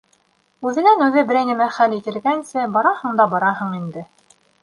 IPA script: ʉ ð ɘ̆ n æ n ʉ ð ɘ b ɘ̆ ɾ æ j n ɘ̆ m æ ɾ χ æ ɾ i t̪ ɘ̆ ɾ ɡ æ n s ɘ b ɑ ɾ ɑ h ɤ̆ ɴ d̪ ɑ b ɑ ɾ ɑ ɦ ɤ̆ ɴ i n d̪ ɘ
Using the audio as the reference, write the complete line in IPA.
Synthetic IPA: ʉ ð ɘ̆ n æ n ʉ ð ɘ b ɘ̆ ɾ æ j n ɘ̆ m æ χ æ l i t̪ ɘ̆ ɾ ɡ æ n s ɘ b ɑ ɾ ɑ h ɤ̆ ɴ d̪ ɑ b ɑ ɾ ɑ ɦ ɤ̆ ɴ i n d̪ ɘ